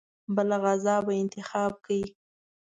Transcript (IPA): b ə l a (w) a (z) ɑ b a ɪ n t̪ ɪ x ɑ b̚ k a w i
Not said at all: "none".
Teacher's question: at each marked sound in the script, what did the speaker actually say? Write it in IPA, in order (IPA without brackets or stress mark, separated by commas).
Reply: ɣ, z